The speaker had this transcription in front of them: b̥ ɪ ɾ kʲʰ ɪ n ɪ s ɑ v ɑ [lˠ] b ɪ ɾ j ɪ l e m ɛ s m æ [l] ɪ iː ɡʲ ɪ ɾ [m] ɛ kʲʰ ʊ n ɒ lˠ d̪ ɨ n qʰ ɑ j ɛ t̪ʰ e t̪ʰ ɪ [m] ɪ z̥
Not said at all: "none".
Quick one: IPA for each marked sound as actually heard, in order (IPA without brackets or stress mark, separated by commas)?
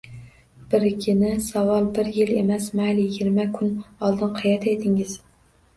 lˠ, l, m, ŋ